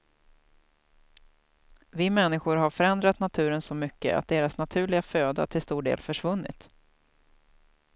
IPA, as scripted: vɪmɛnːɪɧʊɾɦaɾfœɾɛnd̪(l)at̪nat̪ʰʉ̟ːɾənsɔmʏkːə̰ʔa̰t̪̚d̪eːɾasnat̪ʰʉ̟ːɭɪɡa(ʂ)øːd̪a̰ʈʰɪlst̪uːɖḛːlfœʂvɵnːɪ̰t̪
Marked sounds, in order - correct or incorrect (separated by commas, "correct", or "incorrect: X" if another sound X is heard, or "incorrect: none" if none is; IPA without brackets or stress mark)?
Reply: incorrect: ɾ, incorrect: f